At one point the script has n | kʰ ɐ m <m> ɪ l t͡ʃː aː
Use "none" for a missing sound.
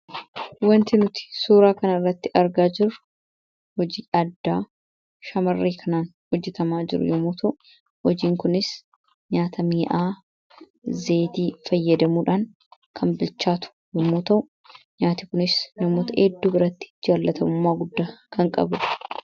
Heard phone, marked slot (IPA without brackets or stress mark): b